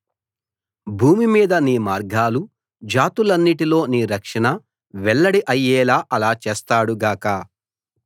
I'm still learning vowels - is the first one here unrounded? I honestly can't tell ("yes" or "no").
no